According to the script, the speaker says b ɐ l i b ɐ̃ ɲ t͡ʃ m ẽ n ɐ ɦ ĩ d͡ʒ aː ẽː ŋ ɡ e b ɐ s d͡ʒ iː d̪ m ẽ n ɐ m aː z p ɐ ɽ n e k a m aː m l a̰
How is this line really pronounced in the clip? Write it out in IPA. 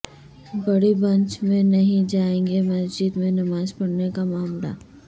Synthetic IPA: b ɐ ɽ i b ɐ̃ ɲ t͡ʃ m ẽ n ɐ ɦ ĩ d͡ʒ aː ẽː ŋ ɡ e m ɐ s d͡ʒ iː d̪ m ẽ n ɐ m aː z p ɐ ɽ n e k a m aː m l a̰